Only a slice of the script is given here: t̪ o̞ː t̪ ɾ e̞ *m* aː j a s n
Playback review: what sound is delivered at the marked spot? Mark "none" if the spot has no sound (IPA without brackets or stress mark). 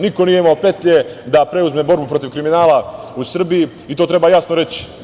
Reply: b